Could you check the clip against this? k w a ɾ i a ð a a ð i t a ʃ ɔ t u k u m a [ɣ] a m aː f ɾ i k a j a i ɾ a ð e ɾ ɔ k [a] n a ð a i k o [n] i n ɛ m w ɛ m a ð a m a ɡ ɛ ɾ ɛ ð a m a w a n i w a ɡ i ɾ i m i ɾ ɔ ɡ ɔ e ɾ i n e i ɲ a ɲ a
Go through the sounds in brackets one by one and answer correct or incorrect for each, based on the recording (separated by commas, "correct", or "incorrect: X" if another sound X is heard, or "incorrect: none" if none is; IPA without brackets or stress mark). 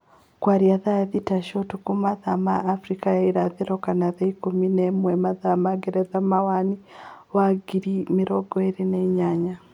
incorrect: ð, correct, incorrect: m